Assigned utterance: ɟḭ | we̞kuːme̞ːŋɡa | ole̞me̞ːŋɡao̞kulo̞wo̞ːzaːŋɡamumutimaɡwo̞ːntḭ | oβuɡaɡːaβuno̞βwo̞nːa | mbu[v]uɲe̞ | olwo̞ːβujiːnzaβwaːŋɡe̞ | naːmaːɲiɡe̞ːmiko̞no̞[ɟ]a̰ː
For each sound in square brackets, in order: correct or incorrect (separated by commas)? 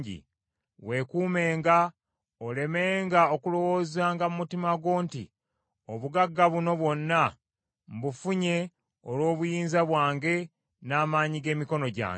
incorrect, correct